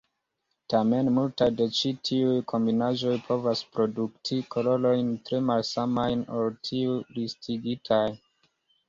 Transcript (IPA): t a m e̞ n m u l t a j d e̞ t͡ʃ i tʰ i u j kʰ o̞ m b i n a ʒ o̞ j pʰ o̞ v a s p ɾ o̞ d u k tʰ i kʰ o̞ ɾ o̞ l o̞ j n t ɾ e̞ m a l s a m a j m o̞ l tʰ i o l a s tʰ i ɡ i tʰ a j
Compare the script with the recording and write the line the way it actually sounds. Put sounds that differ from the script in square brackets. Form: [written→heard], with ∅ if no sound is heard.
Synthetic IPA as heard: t a m e̞ n m u l t a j d e̞ t͡ʃ i tʰ i u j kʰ o̞ m b i n a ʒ o̞ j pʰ o̞ v a s p ɾ o̞ d u k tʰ i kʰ o̞ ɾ o̞ l o̞ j n t ɾ e̞ m a l s a m a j [m→n] o̞ l tʰ i [o→u] l [a→i] s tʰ i ɡ i tʰ a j